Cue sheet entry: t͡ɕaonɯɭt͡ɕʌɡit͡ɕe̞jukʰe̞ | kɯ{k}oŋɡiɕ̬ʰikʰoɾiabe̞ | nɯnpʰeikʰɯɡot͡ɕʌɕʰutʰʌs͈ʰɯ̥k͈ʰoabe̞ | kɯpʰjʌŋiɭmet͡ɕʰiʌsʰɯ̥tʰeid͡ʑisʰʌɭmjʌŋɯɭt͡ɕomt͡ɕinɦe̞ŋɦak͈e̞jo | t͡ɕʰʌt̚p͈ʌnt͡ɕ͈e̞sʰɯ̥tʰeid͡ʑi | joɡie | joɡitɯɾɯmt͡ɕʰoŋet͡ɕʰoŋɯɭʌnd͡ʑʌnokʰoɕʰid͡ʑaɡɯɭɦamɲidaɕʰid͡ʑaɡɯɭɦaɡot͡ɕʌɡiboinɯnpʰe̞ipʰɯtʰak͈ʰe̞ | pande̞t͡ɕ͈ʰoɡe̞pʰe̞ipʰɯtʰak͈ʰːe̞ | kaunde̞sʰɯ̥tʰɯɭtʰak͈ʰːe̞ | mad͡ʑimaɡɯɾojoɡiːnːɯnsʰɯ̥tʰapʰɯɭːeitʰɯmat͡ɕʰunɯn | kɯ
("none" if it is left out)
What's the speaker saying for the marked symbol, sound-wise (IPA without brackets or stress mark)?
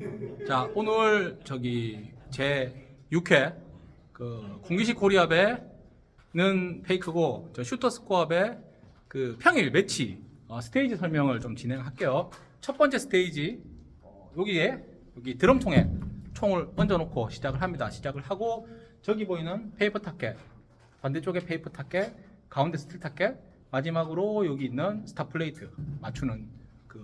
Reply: k